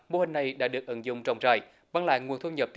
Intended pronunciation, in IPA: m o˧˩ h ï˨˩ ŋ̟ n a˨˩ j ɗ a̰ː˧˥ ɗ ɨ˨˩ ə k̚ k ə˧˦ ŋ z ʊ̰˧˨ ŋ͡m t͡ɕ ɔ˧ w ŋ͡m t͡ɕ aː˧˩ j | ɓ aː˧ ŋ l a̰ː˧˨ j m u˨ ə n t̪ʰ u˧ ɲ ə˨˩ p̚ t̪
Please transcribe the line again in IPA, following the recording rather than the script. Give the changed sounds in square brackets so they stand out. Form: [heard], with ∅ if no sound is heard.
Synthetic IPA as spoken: m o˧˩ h ï˨˩ ŋ̟ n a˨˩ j ɗ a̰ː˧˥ ɗ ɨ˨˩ ə k̚ [ʔ] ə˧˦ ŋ z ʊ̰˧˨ ŋ͡m t͡ɕ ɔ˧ w ŋ͡m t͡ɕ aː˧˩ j | ɓ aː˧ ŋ l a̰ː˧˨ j [ŋ] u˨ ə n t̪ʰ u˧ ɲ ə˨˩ p̚ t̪